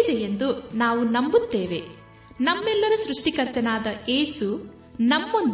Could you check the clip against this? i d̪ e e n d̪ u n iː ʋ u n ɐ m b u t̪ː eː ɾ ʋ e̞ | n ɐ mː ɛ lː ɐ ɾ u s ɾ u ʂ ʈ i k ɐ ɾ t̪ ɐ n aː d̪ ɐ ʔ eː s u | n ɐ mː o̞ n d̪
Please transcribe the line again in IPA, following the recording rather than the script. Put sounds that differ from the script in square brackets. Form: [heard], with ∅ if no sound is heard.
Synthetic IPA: i d̪ e e n d̪ u n [aː] ʋ u n ɐ m b u t̪ː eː [∅] ʋ e̞ | n ɐ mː ɛ lː ɐ ɾ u s ɾ u ʂ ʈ i k ɐ ɾ t̪ ɐ n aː d̪ ɐ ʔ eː s u | n ɐ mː o̞ n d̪